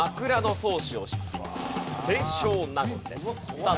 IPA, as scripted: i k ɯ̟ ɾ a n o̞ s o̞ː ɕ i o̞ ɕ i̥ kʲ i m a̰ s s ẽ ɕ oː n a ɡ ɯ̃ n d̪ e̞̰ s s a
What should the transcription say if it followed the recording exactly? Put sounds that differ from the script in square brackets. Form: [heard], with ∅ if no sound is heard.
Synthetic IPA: [a] k ɯ̟ ɾ a n o̞ s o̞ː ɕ i o̞ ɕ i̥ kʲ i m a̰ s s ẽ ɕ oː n a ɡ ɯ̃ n d̪ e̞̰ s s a